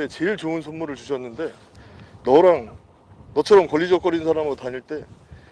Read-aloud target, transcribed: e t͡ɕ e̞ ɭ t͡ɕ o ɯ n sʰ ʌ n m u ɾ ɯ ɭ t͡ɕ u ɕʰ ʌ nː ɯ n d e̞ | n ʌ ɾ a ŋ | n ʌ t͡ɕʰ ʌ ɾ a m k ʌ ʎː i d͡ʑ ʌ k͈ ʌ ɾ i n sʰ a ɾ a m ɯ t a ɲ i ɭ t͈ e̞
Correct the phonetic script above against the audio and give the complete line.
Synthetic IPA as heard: e t͡ɕ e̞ ɭ t͡ɕ o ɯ n sʰ ʌ n m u ɾ ɯ ɭ t͡ɕ u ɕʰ ʌ nː ɯ n d e̞ | n ʌ ɾ a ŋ | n ʌ t͡ɕʰ ʌ ɾ ʌ m k ʌ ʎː i d͡ʑ ʌ k͈ ʌ ɾ i n sʰ a ɾ a m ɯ t a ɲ i ɭ t͈ e̞